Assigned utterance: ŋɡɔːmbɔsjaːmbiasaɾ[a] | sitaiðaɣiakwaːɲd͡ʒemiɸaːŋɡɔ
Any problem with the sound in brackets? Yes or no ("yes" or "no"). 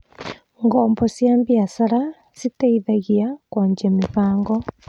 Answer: no